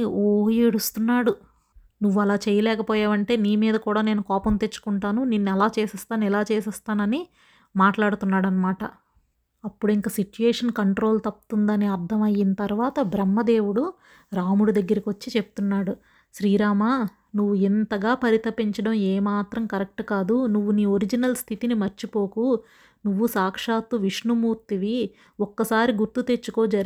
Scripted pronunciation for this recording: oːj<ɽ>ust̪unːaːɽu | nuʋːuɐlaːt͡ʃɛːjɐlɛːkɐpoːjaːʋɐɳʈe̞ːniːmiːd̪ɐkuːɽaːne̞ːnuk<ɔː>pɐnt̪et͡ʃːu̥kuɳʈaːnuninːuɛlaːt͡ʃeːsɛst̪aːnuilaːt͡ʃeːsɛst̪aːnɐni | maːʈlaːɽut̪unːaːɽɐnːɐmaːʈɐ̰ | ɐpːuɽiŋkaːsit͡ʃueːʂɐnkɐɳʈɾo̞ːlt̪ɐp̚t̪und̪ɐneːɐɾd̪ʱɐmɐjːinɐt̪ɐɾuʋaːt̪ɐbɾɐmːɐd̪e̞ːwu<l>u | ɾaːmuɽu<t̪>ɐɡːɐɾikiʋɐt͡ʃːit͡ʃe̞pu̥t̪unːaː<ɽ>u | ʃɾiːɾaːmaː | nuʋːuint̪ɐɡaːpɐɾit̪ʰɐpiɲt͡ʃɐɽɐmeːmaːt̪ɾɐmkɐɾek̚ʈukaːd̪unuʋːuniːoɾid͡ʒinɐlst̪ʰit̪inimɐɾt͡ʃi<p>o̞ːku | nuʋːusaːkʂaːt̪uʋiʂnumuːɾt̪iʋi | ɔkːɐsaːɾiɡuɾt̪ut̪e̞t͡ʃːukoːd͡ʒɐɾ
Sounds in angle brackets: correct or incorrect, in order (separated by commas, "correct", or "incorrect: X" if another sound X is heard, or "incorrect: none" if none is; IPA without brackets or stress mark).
correct, correct, incorrect: ɽ, incorrect: d̪, correct, correct